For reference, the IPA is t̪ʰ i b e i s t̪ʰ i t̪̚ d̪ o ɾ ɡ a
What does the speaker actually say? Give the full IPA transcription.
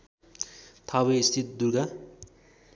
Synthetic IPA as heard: t̪ʰ a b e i s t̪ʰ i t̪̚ d̪ u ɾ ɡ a